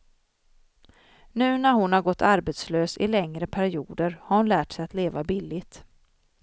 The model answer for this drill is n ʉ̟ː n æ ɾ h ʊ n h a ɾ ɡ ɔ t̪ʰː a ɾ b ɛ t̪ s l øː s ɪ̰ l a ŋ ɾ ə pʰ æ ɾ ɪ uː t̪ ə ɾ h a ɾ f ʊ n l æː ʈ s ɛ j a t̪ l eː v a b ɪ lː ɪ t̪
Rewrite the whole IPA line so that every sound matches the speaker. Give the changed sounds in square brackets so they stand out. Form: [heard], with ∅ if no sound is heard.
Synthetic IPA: n ʉ̟ː n æ ɾ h ʊ n h a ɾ ɡ ɔ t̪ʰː a ɾ b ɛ t̪ s l øː s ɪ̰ l [ɛ] ŋ ɾ ə pʰ æ ɾ ɪ uː [d̪] ə ɾ h a ɾ [h] ʊ n l æː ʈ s ɛ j a t̪ l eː v a b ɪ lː ɪ t̪